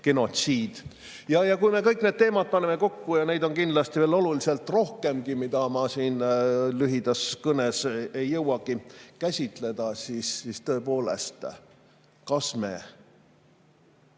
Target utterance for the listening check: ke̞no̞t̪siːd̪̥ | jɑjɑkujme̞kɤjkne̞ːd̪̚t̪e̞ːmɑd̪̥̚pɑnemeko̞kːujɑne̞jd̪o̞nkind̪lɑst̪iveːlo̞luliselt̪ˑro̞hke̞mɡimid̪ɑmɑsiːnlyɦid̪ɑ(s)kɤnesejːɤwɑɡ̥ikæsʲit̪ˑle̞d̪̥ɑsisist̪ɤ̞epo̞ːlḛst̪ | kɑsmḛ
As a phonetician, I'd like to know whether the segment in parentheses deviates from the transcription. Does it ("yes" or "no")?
no